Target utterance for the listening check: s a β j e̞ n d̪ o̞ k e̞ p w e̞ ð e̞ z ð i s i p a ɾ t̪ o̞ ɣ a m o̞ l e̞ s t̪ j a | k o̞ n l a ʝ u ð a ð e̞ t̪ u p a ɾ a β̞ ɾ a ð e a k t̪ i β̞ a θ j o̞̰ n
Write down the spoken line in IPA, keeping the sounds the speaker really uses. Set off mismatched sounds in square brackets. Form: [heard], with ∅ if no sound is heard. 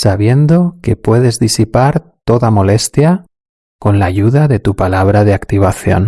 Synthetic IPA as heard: s a β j e̞ n d̪ o̞ k e̞ p w e̞ ð e̞ z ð i s i p a ɾ t̪ o̞ [ð] a m o̞ l e̞ s t̪ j a | k o̞ n l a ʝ u ð a ð e̞ t̪ u p a [l] a β̞ ɾ a ð e a k t̪ i β̞ a θ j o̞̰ n